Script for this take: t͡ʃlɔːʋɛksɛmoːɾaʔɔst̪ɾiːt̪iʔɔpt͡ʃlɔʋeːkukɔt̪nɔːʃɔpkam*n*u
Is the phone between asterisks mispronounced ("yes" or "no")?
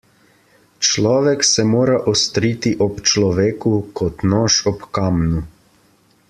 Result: no